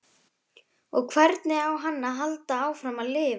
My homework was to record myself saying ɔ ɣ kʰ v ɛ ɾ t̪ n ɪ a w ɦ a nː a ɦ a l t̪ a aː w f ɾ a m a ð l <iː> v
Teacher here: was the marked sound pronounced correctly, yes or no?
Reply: no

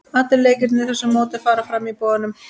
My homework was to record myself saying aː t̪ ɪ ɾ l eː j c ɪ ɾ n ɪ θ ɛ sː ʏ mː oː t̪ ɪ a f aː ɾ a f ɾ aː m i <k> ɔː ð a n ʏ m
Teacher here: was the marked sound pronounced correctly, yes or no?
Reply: no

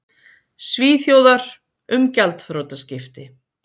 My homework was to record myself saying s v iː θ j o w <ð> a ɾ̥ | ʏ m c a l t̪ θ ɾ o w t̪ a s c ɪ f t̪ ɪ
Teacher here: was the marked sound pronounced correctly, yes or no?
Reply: yes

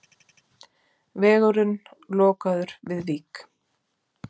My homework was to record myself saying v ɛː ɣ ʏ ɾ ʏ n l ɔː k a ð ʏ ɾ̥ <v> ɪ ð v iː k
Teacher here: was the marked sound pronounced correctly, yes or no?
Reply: yes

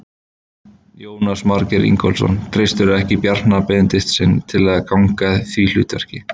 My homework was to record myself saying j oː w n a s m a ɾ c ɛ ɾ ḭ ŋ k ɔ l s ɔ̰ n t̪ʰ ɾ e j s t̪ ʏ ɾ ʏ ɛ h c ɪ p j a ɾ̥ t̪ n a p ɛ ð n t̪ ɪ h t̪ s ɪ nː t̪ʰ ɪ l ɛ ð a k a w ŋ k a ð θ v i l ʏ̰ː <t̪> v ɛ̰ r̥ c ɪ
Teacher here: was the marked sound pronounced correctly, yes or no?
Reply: yes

